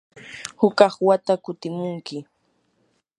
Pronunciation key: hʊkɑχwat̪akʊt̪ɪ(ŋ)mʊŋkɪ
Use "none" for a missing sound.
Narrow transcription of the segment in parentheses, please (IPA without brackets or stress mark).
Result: none